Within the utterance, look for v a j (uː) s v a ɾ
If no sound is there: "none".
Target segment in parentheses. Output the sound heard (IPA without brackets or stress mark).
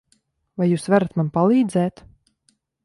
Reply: uː